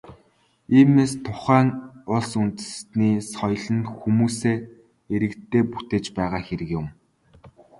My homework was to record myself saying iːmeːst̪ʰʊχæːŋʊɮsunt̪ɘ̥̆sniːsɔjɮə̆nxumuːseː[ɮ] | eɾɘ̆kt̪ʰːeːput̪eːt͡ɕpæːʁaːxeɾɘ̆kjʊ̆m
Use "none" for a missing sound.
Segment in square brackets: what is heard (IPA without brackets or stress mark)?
none